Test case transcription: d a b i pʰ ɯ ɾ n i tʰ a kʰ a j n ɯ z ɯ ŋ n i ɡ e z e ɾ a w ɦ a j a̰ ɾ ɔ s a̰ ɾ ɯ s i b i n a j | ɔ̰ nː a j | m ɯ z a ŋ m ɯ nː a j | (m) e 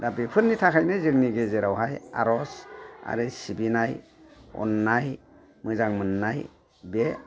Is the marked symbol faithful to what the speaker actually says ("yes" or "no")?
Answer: no